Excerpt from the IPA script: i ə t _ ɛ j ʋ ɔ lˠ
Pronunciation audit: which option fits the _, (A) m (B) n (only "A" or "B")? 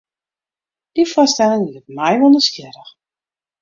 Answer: A